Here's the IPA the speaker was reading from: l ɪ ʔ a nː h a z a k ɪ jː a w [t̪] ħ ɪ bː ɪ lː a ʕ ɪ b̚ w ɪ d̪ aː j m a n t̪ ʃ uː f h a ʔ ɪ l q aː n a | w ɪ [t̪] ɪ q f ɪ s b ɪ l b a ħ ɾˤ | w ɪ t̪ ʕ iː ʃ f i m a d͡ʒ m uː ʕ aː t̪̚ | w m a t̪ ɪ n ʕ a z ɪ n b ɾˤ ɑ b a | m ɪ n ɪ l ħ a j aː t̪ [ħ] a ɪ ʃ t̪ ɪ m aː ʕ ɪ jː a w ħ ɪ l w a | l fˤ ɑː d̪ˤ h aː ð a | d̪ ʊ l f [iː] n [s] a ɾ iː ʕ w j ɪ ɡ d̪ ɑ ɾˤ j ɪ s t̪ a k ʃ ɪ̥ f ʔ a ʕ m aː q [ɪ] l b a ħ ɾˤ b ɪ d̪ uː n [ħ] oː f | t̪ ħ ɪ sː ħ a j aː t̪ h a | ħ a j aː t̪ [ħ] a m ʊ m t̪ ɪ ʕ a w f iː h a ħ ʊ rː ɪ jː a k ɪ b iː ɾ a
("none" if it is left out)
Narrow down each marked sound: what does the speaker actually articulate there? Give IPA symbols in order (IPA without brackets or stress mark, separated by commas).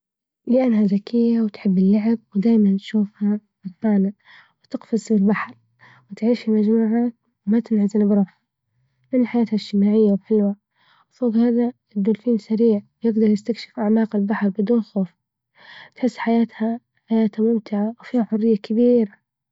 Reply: t̪, t̪, h, iː, s, ɪ, x, h